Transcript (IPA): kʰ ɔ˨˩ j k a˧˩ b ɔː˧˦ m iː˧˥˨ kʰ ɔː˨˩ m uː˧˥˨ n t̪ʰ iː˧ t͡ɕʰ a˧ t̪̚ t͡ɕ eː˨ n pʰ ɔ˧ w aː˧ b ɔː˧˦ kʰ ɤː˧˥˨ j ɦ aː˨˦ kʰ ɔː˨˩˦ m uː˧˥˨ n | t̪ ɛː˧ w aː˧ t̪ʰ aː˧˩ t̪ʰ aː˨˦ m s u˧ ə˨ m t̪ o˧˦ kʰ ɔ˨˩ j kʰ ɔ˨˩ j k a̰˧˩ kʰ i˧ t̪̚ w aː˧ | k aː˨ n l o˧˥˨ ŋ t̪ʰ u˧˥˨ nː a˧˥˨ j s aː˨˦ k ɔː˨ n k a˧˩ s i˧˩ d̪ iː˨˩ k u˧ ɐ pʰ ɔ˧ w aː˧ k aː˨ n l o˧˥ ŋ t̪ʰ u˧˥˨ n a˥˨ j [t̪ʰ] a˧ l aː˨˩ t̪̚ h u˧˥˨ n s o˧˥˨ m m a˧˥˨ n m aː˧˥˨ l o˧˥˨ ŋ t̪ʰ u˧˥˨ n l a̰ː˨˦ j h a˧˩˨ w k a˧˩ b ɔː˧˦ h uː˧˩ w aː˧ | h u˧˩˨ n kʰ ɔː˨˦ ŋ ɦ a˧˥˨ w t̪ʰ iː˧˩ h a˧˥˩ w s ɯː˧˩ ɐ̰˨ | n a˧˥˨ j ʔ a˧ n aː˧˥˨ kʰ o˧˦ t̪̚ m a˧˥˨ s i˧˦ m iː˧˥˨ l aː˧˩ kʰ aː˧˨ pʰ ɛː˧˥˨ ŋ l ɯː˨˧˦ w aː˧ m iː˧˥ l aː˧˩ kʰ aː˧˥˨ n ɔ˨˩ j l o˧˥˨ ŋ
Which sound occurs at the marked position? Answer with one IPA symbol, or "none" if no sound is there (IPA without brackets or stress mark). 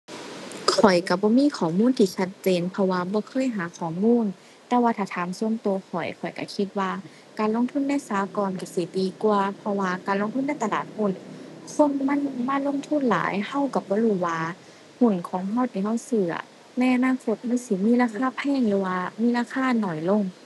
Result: t̪